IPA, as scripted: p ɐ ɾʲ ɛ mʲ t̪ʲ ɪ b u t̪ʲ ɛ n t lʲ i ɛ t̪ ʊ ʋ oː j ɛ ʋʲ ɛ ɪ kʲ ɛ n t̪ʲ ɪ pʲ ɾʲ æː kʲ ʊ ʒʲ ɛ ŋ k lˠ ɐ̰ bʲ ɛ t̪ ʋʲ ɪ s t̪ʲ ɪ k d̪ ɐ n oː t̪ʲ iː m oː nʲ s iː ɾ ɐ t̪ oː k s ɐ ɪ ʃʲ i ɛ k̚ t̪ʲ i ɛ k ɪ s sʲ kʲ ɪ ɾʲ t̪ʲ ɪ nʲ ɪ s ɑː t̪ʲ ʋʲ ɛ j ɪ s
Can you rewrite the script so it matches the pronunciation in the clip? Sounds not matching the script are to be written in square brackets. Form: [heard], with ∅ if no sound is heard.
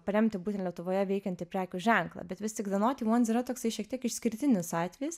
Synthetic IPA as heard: p ɐ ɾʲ ɛ mʲ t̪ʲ ɪ b u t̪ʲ ɛ n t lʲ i ɛ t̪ ʊ ʋ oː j ɛ ʋʲ ɛ ɪ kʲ ɛ n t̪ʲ ɪ pʲ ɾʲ æː kʲ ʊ ʒʲ ɛ ŋ k lˠ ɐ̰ bʲ ɛ t̪ ʋʲ ɪ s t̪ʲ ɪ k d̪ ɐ n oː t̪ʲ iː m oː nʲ s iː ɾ ɐ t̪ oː k s ɐ ɪ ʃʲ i ɛ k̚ t̪ʲ i ɛ k ɪ [ʃ] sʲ kʲ ɪ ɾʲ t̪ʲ ɪ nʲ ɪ s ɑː t̪ʲ ʋʲ ɛ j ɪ s